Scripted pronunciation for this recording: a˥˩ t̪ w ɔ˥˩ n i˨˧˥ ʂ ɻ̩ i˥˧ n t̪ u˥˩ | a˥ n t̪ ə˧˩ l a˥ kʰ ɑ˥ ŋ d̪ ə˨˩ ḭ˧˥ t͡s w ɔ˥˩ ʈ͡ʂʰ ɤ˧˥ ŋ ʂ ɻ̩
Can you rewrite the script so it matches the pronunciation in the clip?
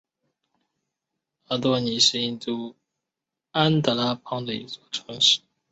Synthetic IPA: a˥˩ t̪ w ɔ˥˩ n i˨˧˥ ʂ ɻ̩ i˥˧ n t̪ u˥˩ | a˥ n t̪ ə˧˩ l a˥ pʰ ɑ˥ ŋ d̪ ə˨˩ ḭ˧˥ t͡s w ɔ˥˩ ʈ͡ʂʰ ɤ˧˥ ŋ ʂ ɻ̩